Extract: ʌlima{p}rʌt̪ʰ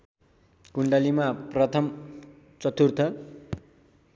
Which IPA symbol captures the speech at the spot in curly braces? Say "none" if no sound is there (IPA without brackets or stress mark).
p